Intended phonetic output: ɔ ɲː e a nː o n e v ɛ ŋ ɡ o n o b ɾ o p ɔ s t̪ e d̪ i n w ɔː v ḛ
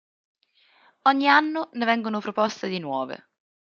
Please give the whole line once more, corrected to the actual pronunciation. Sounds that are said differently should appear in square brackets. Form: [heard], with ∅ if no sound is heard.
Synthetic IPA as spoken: ɔ ɲː [i] a nː o n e v ɛ ŋ ɡ o n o [p] ɾ o p ɔ s t̪ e d̪ i n w ɔː v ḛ